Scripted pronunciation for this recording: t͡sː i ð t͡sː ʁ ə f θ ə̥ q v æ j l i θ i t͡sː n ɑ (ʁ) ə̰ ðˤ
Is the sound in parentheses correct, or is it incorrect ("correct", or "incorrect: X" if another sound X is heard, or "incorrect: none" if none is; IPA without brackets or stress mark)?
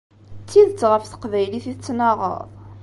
correct